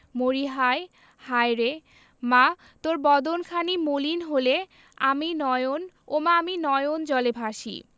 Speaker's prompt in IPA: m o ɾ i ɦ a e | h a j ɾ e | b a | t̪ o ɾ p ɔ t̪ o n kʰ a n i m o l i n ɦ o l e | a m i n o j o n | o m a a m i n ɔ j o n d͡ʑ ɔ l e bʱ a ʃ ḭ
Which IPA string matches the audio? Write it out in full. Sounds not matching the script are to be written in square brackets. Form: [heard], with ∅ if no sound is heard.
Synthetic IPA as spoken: m o ɾ i ɦ a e | h a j ɾ e | [m] a | t̪ o ɾ [b] ɔ [d̪] o n kʰ a n i m o l i n ɦ o l e | a m i n [ɔ] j o n | o m a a m i n ɔ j o n d͡ʑ ɔ l e bʱ a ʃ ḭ